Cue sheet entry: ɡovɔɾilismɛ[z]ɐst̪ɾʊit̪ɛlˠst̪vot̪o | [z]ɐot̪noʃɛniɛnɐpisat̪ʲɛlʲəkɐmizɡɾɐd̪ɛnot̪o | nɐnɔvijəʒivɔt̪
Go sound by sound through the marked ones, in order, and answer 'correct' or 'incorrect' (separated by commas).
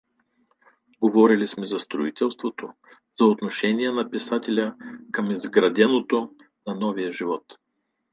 correct, correct